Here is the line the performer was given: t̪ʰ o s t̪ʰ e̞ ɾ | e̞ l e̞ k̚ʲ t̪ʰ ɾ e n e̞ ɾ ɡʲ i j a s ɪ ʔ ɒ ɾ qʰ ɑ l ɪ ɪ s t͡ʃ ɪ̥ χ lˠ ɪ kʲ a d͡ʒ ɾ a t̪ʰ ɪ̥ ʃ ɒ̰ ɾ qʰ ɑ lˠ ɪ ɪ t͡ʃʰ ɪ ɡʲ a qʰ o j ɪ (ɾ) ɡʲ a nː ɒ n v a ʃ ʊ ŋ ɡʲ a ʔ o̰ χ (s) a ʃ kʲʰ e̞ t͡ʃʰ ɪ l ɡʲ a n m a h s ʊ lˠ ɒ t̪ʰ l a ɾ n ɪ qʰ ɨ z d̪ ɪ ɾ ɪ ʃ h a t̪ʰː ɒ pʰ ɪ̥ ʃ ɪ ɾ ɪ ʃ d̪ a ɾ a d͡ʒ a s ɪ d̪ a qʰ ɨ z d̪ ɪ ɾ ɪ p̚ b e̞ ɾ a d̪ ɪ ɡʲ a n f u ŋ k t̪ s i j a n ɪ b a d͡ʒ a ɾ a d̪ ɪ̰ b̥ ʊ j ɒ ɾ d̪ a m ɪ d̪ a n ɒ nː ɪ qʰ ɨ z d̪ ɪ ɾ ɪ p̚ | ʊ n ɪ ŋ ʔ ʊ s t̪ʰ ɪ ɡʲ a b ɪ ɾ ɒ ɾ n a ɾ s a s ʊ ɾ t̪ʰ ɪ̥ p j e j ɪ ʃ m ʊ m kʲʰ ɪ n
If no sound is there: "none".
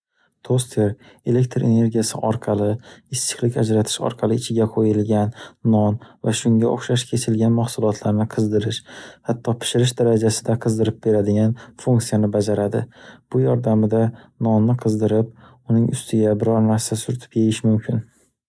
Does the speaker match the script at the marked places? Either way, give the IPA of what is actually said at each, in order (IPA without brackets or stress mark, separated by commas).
l, ʃ